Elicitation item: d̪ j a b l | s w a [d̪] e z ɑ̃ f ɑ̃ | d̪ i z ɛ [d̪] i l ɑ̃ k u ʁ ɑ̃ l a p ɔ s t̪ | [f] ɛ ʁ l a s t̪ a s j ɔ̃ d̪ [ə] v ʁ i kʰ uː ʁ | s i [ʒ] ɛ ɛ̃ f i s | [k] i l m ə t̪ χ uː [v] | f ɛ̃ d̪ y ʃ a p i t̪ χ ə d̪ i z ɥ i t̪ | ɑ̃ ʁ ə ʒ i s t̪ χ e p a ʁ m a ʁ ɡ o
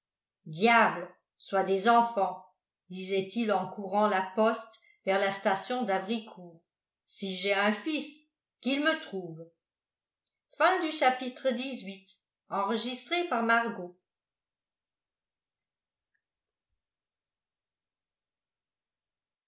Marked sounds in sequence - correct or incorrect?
correct, incorrect, incorrect, incorrect, correct, correct, correct

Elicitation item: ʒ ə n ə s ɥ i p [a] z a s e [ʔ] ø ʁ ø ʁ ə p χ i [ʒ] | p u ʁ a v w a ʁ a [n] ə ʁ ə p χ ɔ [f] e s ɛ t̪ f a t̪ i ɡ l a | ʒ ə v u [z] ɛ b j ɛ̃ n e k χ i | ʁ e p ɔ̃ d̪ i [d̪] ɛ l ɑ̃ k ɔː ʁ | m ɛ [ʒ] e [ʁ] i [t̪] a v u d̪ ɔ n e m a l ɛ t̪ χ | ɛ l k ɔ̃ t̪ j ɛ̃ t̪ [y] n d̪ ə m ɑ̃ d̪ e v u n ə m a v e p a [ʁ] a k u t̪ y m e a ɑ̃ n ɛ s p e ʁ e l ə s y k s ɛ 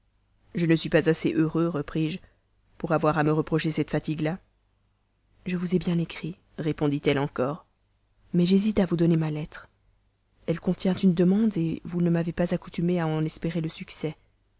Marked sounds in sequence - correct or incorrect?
correct, correct, correct, incorrect, incorrect, correct, incorrect, correct, incorrect, correct, correct, incorrect

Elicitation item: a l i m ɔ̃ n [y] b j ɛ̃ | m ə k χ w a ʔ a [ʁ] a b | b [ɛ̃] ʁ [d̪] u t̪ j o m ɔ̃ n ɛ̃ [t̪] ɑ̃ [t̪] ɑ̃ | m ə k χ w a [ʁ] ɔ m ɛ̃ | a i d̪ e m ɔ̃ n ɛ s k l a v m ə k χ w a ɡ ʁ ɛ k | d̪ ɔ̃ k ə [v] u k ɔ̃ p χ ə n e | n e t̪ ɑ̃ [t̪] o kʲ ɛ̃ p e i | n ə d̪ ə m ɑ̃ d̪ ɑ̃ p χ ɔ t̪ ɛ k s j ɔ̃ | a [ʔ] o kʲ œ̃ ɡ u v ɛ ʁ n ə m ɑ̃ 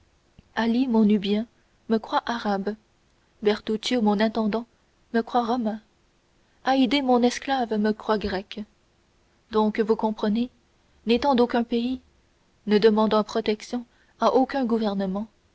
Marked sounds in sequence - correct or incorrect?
correct, correct, incorrect, incorrect, correct, incorrect, correct, correct, incorrect, correct

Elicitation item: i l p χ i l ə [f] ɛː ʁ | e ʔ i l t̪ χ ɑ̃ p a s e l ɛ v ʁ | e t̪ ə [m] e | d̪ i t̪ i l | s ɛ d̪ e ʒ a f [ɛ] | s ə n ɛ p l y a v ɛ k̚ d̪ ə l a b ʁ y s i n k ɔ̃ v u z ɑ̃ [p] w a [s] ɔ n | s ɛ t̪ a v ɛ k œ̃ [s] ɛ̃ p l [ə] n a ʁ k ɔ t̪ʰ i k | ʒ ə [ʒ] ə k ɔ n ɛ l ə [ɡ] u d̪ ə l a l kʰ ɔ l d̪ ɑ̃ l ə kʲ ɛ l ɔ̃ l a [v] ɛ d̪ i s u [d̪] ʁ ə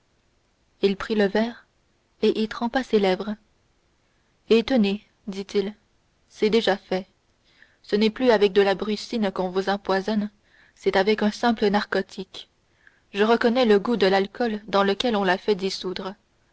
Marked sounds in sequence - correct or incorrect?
incorrect, incorrect, correct, correct, incorrect, correct, correct, incorrect, correct, incorrect, correct

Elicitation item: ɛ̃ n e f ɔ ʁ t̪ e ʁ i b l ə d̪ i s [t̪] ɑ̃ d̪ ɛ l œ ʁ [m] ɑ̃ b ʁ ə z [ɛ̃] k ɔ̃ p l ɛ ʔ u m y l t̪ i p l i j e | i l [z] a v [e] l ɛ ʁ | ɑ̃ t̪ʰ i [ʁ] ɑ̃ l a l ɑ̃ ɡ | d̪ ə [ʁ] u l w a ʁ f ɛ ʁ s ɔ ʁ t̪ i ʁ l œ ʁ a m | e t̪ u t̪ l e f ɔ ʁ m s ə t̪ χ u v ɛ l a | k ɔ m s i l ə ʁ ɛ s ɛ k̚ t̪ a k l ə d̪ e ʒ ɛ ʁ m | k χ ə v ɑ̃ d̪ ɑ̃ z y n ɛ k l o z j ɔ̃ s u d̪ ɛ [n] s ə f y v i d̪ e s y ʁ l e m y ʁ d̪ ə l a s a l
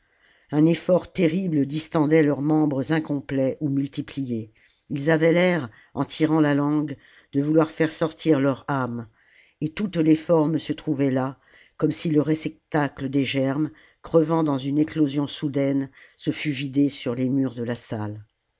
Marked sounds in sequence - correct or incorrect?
correct, correct, correct, correct, incorrect, correct, incorrect, correct

